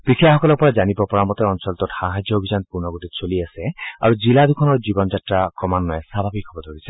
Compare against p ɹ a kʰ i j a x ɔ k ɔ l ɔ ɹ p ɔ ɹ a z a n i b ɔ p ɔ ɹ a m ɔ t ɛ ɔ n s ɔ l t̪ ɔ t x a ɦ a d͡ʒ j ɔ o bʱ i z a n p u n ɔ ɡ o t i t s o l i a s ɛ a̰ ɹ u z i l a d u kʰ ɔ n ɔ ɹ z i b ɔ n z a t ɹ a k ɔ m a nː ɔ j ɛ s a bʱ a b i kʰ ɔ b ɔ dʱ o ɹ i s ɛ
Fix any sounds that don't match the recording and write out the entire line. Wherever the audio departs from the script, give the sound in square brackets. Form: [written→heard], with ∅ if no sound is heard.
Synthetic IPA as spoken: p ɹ [a→i] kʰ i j a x ɔ k ɔ l ɔ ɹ p ɔ ɹ a z a n i b ɔ p ɔ ɹ a m ɔ t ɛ ɔ n s ɔ l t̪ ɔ t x a ɦ a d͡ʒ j ɔ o bʱ i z a n p u n ɔ ɡ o t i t s o l i a s ɛ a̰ ɹ u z i l a d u kʰ ɔ n ɔ ɹ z i b ɔ n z a t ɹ a k ɔ m a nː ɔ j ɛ s a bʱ a b i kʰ ɔ b ɔ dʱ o ɹ i s ɛ